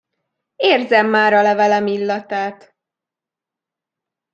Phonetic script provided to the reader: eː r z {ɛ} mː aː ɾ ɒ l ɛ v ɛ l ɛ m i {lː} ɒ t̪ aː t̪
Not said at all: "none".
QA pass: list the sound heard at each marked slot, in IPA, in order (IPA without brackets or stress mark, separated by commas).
ɛ, lː